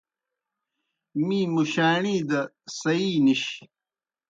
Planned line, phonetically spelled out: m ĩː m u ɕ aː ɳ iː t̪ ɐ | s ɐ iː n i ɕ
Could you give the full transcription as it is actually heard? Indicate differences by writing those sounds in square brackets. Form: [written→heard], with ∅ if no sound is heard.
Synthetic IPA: m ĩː m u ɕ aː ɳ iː [t̪→d̪] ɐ | s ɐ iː n i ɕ